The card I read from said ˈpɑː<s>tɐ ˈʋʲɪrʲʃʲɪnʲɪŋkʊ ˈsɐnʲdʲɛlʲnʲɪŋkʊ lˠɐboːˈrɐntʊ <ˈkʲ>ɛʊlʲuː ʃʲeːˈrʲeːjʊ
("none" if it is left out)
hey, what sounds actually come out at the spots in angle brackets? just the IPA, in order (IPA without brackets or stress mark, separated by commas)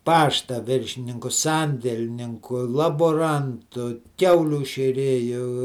ʃ, kʲ